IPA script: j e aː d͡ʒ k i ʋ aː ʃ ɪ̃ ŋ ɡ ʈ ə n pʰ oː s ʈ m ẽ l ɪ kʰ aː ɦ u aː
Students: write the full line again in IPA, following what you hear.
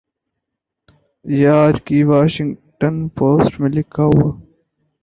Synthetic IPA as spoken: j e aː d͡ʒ k i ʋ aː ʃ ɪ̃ ŋ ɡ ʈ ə n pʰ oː s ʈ m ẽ l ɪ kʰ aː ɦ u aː